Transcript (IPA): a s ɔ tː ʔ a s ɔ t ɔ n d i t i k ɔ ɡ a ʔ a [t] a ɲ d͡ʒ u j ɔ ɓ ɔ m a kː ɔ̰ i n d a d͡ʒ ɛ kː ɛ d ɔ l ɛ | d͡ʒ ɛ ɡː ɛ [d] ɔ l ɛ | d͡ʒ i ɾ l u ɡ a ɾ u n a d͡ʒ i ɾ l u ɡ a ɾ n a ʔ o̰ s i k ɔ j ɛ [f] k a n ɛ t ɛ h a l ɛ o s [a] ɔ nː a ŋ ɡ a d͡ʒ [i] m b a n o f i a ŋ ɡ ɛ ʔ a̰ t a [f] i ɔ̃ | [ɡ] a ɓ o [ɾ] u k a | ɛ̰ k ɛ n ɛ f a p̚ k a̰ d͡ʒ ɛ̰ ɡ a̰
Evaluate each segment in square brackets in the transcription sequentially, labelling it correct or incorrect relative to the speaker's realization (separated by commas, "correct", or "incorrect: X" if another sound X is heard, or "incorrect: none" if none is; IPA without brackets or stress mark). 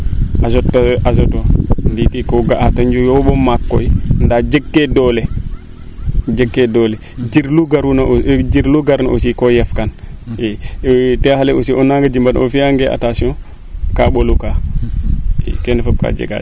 correct, correct, correct, incorrect: i, correct, incorrect: s, incorrect: k, incorrect: l